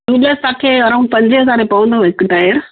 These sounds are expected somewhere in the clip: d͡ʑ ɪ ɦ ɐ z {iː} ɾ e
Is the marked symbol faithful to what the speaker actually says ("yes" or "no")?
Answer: no